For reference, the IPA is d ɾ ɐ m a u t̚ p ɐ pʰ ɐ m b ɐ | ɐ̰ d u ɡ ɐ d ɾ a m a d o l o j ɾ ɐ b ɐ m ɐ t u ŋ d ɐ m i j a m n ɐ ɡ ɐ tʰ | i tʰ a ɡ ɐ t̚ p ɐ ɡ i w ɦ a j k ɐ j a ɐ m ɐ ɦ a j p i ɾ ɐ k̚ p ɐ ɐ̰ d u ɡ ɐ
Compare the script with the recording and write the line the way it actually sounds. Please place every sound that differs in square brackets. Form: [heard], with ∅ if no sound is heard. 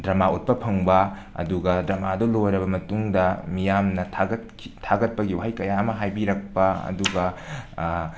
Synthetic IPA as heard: d ɾ ɐ m a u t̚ p ɐ pʰ ɐ [ŋ] b ɐ | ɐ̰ d u ɡ ɐ d ɾ [ɐ] m a d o l o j ɾ ɐ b ɐ m ɐ t u ŋ d ɐ m i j a m n ɐ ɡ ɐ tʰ | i tʰ a ɡ ɐ t̚ p ɐ ɡ i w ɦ a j k ɐ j a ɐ m ɐ ɦ a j [b] i ɾ ɐ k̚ p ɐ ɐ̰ d u ɡ ɐ